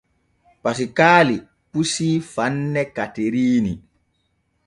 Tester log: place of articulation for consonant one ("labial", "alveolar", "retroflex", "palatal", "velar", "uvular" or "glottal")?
labial